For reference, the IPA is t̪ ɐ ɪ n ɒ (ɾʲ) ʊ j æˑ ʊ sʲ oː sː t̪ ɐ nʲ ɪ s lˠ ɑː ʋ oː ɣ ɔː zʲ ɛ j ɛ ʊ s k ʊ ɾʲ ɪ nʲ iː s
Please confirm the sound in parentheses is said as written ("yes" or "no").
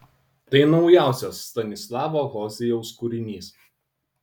no